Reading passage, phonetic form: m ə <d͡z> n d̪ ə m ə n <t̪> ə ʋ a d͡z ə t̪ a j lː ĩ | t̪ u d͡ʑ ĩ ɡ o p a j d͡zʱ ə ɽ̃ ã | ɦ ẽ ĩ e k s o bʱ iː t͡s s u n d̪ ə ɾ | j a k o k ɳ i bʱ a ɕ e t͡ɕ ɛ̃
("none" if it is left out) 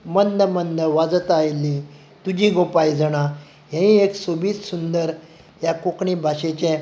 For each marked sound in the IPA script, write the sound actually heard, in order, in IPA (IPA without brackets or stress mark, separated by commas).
none, d̪